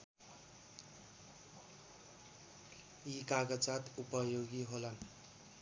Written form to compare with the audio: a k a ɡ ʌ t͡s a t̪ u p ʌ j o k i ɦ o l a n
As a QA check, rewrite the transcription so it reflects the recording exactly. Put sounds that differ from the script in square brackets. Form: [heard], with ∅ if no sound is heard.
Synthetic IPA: [i] k a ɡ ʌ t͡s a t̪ u p ʌ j o [ɡ] i ɦ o l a n